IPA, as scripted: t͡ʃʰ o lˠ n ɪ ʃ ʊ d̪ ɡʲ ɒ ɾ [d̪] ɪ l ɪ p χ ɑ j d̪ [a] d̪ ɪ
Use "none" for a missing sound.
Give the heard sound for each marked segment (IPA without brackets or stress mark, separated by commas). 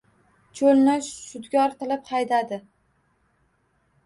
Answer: t̪, a